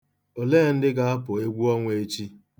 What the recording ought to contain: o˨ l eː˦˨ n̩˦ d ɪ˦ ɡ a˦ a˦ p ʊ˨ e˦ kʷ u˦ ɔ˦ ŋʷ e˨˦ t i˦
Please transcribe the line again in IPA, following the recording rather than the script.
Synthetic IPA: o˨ l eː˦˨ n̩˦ d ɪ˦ ɡ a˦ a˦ p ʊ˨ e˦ ɡʷ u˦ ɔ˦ ŋʷ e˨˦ t͡ʃ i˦